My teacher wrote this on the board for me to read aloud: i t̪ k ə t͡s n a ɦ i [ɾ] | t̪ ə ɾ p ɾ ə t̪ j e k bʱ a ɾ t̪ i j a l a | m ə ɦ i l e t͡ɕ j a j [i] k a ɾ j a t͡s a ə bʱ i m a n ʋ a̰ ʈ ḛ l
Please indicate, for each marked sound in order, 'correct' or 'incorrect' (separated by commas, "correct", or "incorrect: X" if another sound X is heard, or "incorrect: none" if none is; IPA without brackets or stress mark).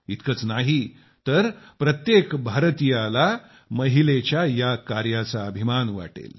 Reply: incorrect: none, incorrect: a